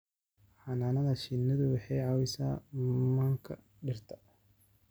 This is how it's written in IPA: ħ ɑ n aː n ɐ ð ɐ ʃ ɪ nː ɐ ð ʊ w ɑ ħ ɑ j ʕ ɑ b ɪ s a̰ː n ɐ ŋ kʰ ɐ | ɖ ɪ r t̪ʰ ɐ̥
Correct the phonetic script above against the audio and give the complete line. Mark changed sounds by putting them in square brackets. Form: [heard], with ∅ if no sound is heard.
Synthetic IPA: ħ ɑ n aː n ɐ ð ɐ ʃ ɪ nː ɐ ð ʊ w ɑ ħ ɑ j ʕ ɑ [w] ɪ s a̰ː [m] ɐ ŋ kʰ ɐ | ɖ ɪ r t̪ʰ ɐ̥